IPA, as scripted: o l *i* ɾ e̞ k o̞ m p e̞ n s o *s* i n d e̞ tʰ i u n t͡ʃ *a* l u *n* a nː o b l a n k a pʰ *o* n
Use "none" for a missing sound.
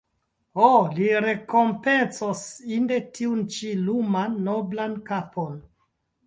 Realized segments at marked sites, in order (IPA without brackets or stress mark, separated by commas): i, s, i, m, o